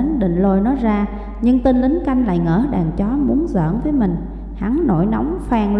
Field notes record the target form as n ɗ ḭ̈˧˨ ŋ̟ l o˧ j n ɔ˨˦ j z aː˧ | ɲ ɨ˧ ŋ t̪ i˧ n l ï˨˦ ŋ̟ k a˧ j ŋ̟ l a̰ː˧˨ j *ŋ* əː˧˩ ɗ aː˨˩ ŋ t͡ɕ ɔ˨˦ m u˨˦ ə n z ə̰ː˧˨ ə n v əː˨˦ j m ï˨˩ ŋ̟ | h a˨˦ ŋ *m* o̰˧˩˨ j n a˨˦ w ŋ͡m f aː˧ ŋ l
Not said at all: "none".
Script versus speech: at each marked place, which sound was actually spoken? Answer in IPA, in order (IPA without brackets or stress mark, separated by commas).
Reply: ŋ, n